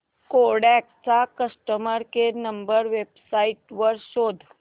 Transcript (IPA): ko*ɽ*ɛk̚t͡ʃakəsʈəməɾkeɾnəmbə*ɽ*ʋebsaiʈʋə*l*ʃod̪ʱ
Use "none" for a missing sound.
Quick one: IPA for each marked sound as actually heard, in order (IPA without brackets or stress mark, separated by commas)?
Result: ɽ, ɾ, ɾ